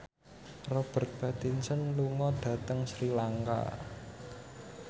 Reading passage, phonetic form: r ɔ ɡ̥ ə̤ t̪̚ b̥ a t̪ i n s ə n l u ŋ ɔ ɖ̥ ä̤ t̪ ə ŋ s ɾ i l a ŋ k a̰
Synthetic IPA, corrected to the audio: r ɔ b̥ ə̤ t̪̚ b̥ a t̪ i n s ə n l u ŋ ɔ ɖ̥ ä̤ t̪ ə ŋ s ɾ i l a ŋ k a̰